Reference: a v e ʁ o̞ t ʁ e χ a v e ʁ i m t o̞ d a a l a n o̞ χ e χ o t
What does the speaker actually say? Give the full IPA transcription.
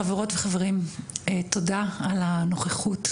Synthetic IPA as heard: a v e ʁ o̞ t v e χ a v e ʁ i m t o̞ d a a l a n o̞ χ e χ u t